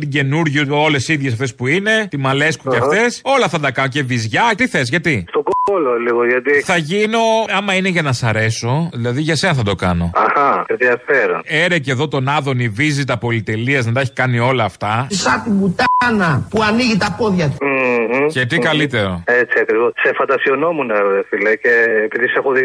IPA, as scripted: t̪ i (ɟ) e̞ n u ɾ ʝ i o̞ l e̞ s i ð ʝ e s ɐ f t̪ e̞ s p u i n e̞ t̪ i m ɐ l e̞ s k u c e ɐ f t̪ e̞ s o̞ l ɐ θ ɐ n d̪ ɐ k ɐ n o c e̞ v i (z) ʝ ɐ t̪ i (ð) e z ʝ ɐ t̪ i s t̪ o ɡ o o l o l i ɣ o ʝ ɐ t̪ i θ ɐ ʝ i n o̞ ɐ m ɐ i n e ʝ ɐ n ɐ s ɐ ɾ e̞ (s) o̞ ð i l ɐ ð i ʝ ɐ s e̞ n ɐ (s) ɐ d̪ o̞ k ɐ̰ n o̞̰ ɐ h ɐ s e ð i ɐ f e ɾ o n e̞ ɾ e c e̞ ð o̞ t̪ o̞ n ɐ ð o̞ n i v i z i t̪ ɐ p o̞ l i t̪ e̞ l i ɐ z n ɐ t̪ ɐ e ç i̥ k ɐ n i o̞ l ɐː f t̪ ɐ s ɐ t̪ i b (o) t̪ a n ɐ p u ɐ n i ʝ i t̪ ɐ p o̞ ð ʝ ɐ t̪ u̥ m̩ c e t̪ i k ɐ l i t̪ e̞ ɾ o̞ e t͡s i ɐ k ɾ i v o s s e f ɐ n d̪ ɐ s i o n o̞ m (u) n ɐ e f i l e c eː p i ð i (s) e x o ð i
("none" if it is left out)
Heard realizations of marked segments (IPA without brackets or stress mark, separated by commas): ɟ, z, θ, s, θ, u, u, s